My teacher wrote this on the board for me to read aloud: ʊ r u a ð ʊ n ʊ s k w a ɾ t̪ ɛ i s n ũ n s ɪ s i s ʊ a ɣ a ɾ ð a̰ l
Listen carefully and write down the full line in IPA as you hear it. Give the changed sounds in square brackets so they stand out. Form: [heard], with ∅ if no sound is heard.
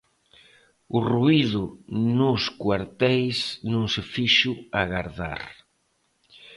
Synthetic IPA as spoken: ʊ r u [i] ð ʊ n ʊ s k w a ɾ t̪ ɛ [j] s n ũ [ŋ] s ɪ [f] i [ʃ] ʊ a ɣ a ɾ ð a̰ [ɾ]